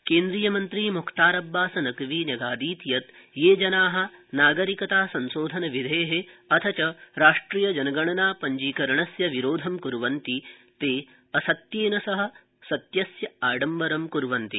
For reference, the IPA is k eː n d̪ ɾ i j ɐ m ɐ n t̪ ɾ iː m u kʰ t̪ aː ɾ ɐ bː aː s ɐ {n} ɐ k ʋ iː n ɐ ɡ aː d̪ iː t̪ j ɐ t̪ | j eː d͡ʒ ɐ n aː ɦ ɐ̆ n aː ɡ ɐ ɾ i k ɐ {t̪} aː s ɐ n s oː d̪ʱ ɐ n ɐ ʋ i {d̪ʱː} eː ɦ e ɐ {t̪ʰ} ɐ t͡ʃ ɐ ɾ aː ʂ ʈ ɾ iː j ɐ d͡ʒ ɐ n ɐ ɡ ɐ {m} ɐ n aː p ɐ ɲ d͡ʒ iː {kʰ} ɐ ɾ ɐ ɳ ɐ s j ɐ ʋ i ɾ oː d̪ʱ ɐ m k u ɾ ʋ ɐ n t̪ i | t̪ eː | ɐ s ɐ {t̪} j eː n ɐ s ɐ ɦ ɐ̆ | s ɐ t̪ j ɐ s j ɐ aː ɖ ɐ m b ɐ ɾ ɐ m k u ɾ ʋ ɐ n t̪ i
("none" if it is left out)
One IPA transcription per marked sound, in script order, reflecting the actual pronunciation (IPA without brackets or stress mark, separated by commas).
n, t̪, d̪ʱ, t̪ʰ, ɳ, k, t̪